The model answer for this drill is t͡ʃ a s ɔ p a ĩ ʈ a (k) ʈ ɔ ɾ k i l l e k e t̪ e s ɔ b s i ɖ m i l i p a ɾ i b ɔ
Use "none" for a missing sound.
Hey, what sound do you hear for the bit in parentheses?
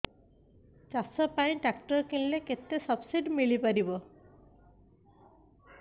k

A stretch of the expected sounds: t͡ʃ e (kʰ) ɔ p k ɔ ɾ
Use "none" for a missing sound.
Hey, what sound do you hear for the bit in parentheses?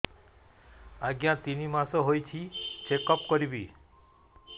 k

